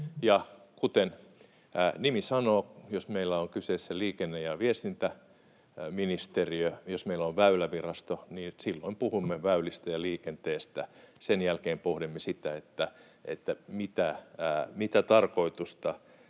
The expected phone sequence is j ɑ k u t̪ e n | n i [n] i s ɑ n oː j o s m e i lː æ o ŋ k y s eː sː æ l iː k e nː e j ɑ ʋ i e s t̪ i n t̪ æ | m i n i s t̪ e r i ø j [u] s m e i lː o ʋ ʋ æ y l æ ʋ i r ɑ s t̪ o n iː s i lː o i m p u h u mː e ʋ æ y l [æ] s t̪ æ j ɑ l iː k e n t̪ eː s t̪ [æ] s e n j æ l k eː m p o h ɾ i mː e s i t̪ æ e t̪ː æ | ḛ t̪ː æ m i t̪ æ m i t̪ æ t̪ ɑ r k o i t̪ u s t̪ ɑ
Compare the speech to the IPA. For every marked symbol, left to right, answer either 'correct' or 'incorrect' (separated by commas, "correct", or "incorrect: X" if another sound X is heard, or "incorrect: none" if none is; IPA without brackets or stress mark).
incorrect: m, incorrect: o, incorrect: i, correct